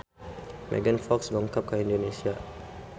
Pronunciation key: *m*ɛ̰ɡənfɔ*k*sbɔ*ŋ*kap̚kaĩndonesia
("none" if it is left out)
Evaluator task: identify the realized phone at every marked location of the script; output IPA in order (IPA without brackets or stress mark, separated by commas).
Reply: m, k, ŋ